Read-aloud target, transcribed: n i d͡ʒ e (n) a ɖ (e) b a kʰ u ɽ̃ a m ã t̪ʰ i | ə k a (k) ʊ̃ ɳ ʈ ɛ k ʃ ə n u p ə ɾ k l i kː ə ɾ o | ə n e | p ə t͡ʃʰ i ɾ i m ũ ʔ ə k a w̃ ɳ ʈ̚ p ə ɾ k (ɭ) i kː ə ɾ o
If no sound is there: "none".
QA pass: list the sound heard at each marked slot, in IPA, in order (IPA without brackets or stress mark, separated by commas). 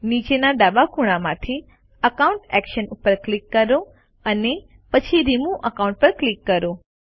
n, a, none, l